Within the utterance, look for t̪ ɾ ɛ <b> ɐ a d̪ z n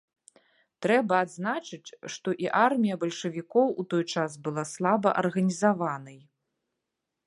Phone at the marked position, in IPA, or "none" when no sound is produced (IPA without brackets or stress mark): b